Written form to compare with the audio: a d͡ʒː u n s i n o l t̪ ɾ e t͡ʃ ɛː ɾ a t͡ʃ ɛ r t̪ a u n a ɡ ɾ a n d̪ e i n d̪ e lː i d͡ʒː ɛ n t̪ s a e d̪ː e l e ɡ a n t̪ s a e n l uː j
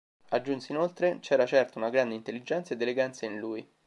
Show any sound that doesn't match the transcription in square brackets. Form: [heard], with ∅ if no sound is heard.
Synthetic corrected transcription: a d͡ʒː u n s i n o l t̪ ɾ e t͡ʃ ɛː ɾ a t͡ʃ ɛ r t̪ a u n a ɡ ɾ a n d̪ e i n [t̪] e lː i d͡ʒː ɛ n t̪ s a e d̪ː e l e ɡ a n t̪ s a [i] n l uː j

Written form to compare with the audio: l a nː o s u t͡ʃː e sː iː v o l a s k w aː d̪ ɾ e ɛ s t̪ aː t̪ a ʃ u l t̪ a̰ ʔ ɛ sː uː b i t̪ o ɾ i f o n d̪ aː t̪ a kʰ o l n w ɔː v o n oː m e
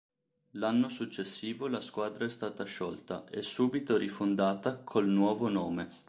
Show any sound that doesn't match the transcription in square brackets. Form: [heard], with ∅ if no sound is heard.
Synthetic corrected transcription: l a nː o s u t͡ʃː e sː iː v o l a s k w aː d̪ ɾ [a] ɛ s t̪ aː t̪ a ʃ [ɔ] l t̪ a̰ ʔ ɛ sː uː b i t̪ o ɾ i f o n d̪ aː t̪ a kʰ o l n w ɔː v o n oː m e

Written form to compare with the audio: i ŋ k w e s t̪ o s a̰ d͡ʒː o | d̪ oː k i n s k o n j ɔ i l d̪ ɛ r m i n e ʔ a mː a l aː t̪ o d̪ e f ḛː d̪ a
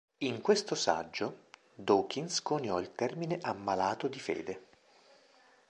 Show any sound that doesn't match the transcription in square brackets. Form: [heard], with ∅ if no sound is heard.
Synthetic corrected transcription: i ŋ k w e s t̪ o s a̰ d͡ʒː o | d̪ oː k i n s k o n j ɔ i l [t̪] ɛ r m i n e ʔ a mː a l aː t̪ o d̪ [i] f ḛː d̪ [e]

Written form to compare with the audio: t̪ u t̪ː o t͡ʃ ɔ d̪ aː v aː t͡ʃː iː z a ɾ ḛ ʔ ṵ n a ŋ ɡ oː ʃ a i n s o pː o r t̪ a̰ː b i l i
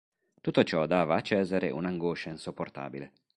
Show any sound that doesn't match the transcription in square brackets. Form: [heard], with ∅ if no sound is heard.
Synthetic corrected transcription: t̪ u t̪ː o t͡ʃ ɔ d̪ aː v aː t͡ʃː [ɛː] z a ɾ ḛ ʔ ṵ n a ŋ ɡ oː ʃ a i n s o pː o r t̪ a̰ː b i l [e]

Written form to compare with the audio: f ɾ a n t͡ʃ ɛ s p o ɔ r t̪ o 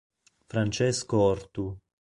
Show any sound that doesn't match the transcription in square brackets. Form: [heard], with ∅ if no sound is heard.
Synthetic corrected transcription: f ɾ a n t͡ʃ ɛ s [k] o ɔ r t̪ [u]

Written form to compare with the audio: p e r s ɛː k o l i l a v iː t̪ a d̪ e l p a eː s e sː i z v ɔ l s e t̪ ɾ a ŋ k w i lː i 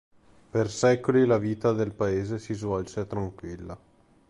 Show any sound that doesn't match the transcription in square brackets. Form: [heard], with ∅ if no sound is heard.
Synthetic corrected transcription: p e r s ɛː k o l i l a v iː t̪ a d̪ e l p a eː [z] e [s] i z v ɔ l s e t̪ ɾ a ŋ k w i lː [a]

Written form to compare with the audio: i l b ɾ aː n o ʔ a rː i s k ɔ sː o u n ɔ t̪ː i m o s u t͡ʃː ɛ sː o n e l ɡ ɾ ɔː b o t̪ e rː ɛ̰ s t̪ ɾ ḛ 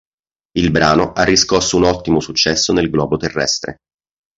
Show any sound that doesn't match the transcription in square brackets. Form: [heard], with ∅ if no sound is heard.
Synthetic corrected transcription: i l b ɾ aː n o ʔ a rː i s k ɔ sː o u n ɔ t̪ː i m o s u t͡ʃː ɛ sː o n e l ɡ [l] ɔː b o t̪ e rː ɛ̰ s t̪ ɾ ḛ

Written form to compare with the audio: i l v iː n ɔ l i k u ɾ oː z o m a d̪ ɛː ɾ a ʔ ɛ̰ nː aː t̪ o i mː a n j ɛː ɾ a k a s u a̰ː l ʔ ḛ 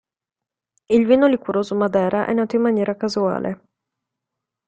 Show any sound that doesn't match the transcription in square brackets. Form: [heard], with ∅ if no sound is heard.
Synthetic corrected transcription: i l v iː n [o] l i k u ɾ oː z o m a d̪ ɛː ɾ a ʔ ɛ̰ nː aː t̪ o i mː a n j ɛː ɾ a k a [z] u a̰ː l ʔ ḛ

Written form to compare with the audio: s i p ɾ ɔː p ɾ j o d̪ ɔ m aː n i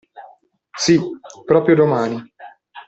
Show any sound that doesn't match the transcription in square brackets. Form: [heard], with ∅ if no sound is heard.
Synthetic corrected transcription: s i p ɾ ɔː p ɾ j o d̪ [o] m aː n i

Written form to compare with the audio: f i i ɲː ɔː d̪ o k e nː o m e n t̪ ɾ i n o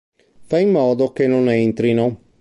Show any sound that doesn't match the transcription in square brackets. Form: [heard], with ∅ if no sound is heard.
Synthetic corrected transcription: f [a] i [mː] ɔː d̪ o k e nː o [n] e n t̪ ɾ i n o

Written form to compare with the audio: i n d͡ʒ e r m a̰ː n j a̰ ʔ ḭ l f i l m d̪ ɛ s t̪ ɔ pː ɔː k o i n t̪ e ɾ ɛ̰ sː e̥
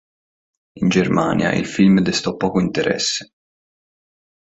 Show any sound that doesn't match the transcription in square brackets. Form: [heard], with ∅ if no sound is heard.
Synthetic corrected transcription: i n d͡ʒ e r m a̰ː n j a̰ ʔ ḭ l f i l m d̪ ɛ s t̪ ɔ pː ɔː k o i n t̪ e ɾ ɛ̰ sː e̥

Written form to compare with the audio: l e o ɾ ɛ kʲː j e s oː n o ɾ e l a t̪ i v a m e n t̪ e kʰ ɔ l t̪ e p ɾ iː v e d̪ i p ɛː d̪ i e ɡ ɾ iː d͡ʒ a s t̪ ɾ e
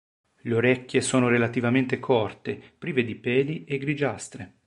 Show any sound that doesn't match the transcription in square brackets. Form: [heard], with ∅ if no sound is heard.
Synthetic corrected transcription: l e o ɾ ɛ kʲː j e s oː n o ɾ e l a t̪ i v a m e n t̪ e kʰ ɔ [r] t̪ e p ɾ iː v e d̪ i p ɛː d̪ i e ɡ ɾ [i] d͡ʒ a s t̪ ɾ e

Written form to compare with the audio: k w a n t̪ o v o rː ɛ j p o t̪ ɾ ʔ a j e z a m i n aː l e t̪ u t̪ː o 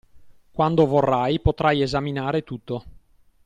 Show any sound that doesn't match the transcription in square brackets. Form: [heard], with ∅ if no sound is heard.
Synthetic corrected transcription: k w a n [d̪] o v o rː [a] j p o t̪ ɾ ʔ a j e z a m i n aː [ɾ] e t̪ u t̪ː o

